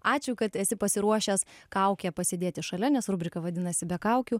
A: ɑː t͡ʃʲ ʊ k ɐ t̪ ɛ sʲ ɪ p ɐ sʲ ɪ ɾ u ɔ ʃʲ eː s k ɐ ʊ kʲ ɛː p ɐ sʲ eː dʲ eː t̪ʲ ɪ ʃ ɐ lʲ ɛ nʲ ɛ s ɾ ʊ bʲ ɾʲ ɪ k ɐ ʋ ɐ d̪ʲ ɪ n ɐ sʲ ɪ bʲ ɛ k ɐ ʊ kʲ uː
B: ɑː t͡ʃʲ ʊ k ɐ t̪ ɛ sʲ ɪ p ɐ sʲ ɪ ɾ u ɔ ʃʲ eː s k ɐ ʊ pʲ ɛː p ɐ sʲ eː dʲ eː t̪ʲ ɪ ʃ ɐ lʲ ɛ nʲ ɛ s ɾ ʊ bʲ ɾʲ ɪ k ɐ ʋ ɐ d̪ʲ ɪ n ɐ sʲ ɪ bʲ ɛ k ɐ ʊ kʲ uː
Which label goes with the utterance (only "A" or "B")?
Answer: A